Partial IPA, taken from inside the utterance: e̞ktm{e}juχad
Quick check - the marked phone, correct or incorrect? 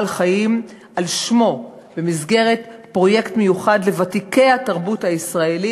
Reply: correct